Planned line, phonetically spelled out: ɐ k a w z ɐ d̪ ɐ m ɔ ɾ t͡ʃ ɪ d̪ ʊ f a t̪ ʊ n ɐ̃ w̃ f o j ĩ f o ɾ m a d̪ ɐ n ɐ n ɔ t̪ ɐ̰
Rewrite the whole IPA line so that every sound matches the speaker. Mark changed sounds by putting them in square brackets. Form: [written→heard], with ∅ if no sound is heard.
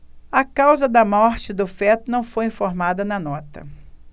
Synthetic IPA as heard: ɐ k a w z ɐ d̪ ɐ m ɔ ɾ t͡ʃ ɪ d̪ ʊ f [a→ɛ] t̪ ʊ n ɐ̃ w̃ f o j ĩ f o ɾ m a d̪ ɐ n ɐ n ɔ t̪ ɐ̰